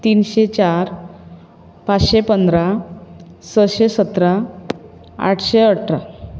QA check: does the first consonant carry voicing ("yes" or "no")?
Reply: no